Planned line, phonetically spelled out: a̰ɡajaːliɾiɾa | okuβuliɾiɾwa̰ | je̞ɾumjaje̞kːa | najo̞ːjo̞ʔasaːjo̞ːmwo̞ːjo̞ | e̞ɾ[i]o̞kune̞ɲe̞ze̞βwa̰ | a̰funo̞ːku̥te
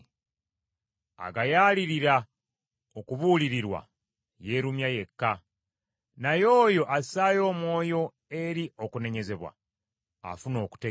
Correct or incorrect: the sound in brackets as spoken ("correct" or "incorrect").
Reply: correct